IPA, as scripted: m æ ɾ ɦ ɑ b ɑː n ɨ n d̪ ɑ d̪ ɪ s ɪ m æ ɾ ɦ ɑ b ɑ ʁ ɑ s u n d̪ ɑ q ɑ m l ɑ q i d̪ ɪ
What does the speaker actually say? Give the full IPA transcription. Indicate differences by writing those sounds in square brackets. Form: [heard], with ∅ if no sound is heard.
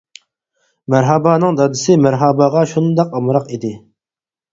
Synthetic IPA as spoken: m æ ɾ ɦ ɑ b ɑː n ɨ [ŋ] d̪ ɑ d̪ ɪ s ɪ m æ ɾ ɦ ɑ b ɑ ʁ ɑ [ʃ] u n d̪ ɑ q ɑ m [ɾ] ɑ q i d̪ ɪ